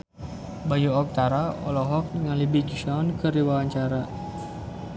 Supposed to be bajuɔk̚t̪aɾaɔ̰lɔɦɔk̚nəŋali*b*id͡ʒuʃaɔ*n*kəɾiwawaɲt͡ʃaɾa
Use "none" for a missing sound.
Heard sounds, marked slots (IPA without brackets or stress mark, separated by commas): b, n